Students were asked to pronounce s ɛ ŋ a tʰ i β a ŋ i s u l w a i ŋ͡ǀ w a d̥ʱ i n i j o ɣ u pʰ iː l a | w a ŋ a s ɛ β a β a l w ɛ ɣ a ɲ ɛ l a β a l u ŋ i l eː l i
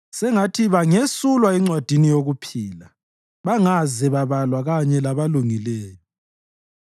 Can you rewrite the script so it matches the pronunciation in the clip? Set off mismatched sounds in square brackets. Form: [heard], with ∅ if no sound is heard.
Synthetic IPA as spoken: s ɛ ŋ a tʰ i β a ŋ [e] s u l w a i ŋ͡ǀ w a d̥ʱ i n i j o ɣ u pʰ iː l a | [β] a ŋ a [z] ɛ β a β a l w [a] ɣ a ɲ ɛ l a β a l u ŋ i l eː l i

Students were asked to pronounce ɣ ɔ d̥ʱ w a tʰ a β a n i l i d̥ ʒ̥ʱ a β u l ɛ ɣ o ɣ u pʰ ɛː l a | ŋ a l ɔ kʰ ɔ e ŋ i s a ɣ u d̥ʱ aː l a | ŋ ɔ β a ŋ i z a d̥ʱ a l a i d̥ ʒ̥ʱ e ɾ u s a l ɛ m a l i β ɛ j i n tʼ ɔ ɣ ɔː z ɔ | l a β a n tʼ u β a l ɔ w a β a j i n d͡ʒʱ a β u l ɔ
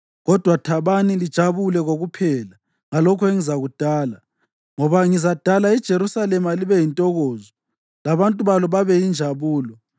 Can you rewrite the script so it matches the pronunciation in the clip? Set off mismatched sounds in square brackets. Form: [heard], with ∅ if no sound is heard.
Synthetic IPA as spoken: ɣ ɔ d̥ʱ w a tʰ a β a n i l i d̥ ʒ̥ʱ a β u l ɛ ɣ o ɣ u pʰ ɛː l a | ŋ a l ɔ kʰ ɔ e ŋ i [z] a ɣ u d̥ʱ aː l a | ŋ ɔ β a ŋ i z a d̥ʱ a l a i d̥ ʒ̥ʱ e ɾ u s a l ɛ m a l i β ɛ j i n tʼ ɔ ɣ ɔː z ɔ | l a β a n tʼ u β a l ɔ [β] a β [ɛ] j i n d͡ʒʱ a β [uː] l ɔ

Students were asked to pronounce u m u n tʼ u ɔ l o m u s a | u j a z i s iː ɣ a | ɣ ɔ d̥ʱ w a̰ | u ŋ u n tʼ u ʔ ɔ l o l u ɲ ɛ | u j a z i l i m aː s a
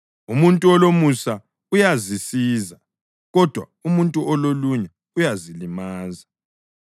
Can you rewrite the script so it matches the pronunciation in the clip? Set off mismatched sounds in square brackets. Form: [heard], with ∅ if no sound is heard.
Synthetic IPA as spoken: u m u n tʼ u ɔ l o m u s a | u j a z i s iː [z] a | ɣ ɔ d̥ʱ w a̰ | u [m] u n tʼ u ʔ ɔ l o l u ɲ ɛ | u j a z i l i m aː [z] a

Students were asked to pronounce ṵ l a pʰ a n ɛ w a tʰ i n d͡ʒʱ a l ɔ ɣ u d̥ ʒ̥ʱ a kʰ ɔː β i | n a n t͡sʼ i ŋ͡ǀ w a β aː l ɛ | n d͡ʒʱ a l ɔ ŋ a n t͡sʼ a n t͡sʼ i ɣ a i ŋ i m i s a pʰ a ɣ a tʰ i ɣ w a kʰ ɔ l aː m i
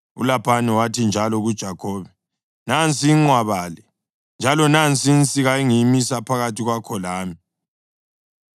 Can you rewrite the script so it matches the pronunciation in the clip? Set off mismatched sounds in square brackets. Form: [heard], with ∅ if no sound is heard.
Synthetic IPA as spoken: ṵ l a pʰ a n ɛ w a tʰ i n d͡ʒʱ a l ɔ ɣ u d̥ ʒ̥ʱ a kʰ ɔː β [ɛ] | n a n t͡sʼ i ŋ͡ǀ w a β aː l ɛ | n d͡ʒʱ a l ɔ [n] a n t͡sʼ [i] n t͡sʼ i ɣ a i ŋ i m i s a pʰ a ɣ a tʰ i ɣ w a kʰ ɔ l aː m i

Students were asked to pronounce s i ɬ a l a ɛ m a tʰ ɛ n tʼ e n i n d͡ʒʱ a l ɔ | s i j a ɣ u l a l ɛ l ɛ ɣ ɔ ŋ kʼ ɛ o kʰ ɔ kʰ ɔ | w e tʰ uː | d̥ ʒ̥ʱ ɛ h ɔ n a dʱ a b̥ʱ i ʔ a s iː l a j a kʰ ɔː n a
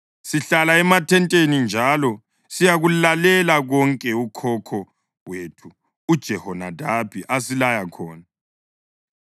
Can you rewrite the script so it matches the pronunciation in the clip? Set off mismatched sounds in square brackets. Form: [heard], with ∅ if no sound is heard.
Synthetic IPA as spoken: s i ɬ a l a ɛ m a tʰ ɛ n tʼ e n i n d͡ʒʱ a l ɔ | s i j a ɣ u l a l ɛ l [a] ɣ ɔ ŋ kʼ ɛ [u] kʰ ɔ kʰ ɔ | w e tʰ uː | d̥ ʒ̥ʱ ɛ h ɔ n a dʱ a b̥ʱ i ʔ a s [i] l a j a kʰ ɔː n a

